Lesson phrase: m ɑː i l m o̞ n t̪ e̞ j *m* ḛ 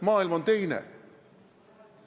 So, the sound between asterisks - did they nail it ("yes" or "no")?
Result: no